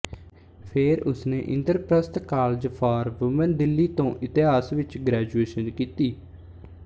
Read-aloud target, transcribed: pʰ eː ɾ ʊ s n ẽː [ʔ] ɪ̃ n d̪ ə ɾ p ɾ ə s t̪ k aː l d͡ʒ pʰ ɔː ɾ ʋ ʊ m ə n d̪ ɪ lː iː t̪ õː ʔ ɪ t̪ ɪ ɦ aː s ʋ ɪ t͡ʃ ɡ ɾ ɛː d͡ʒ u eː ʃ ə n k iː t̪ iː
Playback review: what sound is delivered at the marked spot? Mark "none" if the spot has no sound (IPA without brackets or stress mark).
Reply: ʔ